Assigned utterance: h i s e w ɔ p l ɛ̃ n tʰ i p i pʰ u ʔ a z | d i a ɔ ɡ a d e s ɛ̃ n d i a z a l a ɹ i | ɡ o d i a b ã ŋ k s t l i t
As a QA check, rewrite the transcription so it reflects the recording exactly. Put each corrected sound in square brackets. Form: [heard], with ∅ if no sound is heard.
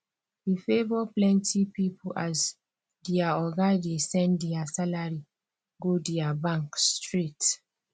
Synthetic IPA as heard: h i [f] e [v] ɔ p l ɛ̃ n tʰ i p i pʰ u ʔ a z | d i a ɔ ɡ a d e s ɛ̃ n d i a [s] a l a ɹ i | ɡ o d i a b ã ŋ k s t [ɹ] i t